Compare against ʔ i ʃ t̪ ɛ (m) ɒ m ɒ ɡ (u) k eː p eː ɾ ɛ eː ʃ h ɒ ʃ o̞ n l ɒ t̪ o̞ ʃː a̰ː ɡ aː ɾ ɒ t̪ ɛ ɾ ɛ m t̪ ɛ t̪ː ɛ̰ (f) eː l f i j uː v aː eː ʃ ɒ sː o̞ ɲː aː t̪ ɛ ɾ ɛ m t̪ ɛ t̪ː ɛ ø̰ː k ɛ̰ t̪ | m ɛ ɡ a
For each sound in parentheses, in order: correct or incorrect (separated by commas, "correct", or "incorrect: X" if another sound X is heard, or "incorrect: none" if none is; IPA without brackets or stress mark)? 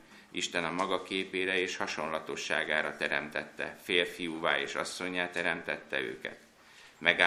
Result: incorrect: n, incorrect: ɒ, correct